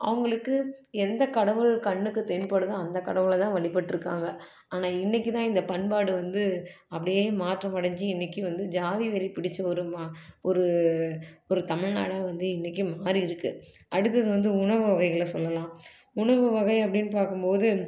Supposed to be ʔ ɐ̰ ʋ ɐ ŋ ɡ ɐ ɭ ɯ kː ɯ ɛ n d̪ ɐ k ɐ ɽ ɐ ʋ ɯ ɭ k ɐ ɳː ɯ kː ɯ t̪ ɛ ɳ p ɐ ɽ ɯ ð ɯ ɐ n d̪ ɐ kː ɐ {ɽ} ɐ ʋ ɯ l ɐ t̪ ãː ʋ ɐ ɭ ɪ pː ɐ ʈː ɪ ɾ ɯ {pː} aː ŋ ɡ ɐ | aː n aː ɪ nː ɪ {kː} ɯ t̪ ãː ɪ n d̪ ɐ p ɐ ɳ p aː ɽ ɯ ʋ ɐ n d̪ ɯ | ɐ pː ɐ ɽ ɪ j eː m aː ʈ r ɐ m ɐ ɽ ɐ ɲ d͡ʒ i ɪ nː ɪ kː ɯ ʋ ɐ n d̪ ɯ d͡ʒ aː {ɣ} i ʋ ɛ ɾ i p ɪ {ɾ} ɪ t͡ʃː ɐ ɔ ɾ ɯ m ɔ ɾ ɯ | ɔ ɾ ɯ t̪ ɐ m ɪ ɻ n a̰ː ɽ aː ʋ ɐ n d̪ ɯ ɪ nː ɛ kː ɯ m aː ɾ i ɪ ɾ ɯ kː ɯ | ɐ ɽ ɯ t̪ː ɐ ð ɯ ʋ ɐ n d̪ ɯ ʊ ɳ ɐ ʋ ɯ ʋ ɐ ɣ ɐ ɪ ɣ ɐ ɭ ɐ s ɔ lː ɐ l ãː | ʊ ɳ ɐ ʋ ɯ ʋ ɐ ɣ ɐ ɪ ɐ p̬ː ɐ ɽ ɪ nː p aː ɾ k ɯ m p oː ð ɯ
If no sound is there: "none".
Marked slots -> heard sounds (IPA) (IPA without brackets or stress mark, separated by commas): ɽ, kː, kː, ð, ɽ